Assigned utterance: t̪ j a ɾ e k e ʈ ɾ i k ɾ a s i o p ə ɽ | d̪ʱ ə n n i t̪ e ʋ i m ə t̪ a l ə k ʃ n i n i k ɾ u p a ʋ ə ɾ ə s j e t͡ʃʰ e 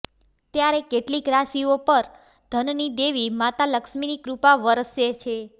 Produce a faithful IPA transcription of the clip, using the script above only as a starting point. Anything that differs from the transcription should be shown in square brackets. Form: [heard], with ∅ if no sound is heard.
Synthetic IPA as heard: t̪ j a ɾ e k e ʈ [l] i k ɾ a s i o p ə [ɾ] | d̪ʱ ə n n i [d̪] e ʋ i m [a] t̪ a l ə k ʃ [m] i n i k ɾ u p a ʋ ə ɾ ə s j e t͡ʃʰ e

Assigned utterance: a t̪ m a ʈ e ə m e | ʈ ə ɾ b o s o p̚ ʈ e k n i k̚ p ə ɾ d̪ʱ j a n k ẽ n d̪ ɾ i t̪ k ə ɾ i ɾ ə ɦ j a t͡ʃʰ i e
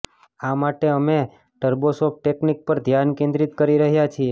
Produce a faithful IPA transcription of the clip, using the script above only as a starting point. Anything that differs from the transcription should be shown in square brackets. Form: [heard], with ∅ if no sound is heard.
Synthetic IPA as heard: a [∅] m a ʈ e ə m e | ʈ ə ɾ b o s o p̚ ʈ e k n i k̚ p ə ɾ d̪ʱ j a n k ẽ n d̪ ɾ i t̪ k ə ɾ i ɾ ə ɦ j a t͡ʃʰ i e

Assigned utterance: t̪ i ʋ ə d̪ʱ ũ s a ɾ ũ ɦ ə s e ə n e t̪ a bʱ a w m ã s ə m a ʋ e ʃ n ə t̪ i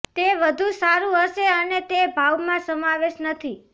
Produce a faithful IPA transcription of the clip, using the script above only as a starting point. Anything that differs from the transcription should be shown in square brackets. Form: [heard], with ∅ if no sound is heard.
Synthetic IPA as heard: t̪ [e] ʋ ə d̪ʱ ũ s a ɾ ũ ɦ ə [ʃ] e ə n e t̪ [e] bʱ a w m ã s ə m a ʋ e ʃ n ə [t̪ʰ] i

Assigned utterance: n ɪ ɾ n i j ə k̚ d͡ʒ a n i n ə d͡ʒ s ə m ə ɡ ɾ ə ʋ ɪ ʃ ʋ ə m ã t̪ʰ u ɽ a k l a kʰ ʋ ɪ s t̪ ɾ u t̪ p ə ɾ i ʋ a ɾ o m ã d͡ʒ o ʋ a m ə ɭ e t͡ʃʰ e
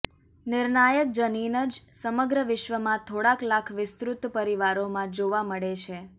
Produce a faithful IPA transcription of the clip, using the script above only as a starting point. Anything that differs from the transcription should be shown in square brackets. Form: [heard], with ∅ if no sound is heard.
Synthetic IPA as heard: n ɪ ɾ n [a] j ə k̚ d͡ʒ [ə] n i n ə d͡ʒ s ə m ə ɡ ɾ ə ʋ ɪ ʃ ʋ ə m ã t̪ʰ [o] ɽ a k l a kʰ ʋ ɪ s t̪ ɾ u t̪ p ə ɾ i ʋ a ɾ o m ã d͡ʒ o ʋ a m ə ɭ e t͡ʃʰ e

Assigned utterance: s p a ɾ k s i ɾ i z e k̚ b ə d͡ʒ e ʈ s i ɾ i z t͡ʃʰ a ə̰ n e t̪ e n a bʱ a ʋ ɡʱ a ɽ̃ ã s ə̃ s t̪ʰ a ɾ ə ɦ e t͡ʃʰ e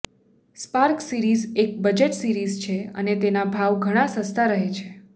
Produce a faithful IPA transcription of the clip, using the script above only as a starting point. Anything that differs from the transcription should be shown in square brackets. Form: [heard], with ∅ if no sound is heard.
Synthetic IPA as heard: s p a ɾ k s i ɾ i z e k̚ b ə d͡ʒ e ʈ s i ɾ i z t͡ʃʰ [e] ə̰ n e t̪ e n a bʱ a ʋ ɡʱ [ə] ɽ̃ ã s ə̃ s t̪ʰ a ɾ ə ɦ e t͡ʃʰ e

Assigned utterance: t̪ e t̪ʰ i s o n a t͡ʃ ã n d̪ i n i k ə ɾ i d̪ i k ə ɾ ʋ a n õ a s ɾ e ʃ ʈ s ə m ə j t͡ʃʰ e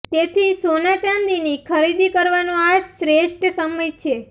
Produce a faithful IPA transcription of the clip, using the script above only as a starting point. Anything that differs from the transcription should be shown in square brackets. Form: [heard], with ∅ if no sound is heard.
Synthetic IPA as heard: t̪ e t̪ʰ i s o n a t͡ʃ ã n d̪ i n i [kʰ] ə ɾ i d̪ i k ə ɾ ʋ a n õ a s ɾ e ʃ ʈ s ə m ə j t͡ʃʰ e

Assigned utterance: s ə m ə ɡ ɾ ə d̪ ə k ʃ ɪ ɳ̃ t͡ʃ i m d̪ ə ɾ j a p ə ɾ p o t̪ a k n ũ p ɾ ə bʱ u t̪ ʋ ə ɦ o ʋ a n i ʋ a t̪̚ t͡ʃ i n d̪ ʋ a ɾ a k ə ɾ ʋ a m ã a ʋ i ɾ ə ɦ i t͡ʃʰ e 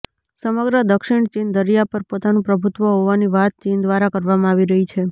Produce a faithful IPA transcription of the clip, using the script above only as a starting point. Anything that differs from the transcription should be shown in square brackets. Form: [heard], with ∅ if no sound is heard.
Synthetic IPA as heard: s ə m ə ɡ ɾ ə d̪ ə k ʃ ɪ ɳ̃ t͡ʃ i [n] d̪ ə ɾ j a p ə ɾ p o t̪ a [∅] n ũ p ɾ ə bʱ u t̪ ʋ ə ɦ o ʋ a n i ʋ a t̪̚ t͡ʃ i n d̪ ʋ a ɾ a k ə ɾ ʋ a m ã a ʋ i ɾ ə ɦ i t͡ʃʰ e

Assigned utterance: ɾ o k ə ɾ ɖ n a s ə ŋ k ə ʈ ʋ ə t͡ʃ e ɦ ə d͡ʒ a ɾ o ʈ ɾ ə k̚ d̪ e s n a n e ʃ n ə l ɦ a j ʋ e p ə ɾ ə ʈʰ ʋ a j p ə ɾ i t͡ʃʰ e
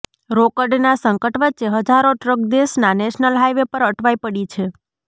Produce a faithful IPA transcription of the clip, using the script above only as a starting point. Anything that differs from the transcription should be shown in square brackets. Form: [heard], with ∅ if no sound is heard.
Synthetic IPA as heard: ɾ o k ə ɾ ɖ n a s ə ŋ k ə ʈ ʋ ə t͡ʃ e ɦ ə d͡ʒ a ɾ o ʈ ɾ ə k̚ d̪ e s n a n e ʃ n ə l ɦ a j ʋ e p ə ɾ ə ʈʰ ʋ a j p ə [ɽ] i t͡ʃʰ e

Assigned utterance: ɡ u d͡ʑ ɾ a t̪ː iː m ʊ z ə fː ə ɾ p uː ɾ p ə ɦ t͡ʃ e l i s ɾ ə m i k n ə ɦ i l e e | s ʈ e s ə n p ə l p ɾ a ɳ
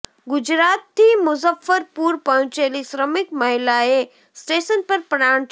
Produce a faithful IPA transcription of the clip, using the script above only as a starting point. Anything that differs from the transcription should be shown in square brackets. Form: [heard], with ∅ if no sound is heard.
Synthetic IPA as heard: ɡ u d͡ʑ ɾ a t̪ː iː m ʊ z ə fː ə ɾ p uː ɾ p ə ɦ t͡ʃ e l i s ɾ ə m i k [m] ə ɦ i l [a] e | s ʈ e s ə n p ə [ɾ] p ɾ a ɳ

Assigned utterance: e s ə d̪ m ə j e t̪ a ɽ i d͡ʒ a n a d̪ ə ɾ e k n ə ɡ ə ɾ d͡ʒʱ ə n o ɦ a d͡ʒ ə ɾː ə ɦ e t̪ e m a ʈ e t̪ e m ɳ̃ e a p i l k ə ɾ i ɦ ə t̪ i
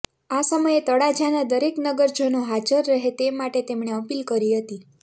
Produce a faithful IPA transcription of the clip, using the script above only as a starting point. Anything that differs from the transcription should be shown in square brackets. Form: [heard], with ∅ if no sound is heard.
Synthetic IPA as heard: [a] s ə [∅] m ə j e t̪ [ə] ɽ [a] d͡ʒ a n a d̪ ə ɾ e k n ə ɡ ə ɾ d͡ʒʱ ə n o ɦ a d͡ʒ ə ɾː ə ɦ e t̪ e m a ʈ e t̪ e m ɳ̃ e [ə] p i l k ə ɾ i ɦ ə t̪ i

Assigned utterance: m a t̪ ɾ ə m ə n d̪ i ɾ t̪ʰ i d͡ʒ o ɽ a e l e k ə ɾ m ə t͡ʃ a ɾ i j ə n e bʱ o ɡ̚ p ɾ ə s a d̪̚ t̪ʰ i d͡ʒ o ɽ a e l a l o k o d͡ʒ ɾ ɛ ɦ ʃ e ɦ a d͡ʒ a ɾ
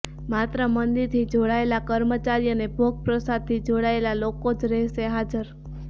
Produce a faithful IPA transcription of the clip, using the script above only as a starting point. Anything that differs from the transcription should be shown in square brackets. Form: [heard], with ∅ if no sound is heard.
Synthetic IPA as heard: m a t̪ ɾ ə m ə n d̪ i ɾ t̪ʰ i d͡ʒ o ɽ a e l [a] k ə ɾ m ə t͡ʃ a ɾ i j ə n e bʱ o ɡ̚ p ɾ ə s a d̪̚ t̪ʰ i d͡ʒ o ɽ a e l a l o k o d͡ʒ ɾ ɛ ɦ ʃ e ɦ a d͡ʒ [ə] ɾ

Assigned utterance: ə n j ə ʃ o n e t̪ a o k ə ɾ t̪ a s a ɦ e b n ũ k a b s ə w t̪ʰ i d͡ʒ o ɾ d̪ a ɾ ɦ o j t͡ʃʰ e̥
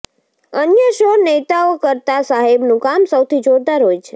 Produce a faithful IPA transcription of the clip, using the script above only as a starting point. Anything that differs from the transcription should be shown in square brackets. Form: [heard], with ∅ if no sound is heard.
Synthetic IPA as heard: ə n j ə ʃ o n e t̪ a o k ə ɾ t̪ a s a ɦ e b n ũ k a [m] s ə w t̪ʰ i d͡ʒ o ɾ d̪ a ɾ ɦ o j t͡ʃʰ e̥

